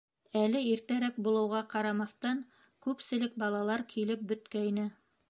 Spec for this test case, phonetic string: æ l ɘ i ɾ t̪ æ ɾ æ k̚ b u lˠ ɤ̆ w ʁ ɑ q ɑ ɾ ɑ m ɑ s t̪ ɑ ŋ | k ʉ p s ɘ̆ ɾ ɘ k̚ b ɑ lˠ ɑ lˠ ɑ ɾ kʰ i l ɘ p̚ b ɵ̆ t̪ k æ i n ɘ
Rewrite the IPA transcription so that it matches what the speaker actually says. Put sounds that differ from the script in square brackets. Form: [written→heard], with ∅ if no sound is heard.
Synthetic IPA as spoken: æ l ɘ i ɾ t̪ æ ɾ æ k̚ b u lˠ ɤ̆ w ʁ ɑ q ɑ ɾ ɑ m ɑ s t̪ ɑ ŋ | k ʉ p s ɘ̆ [ɾ→l] ɘ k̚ b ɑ lˠ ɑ lˠ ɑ ɾ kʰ i l ɘ p̚ b ɵ̆ t̪ k æ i n ɘ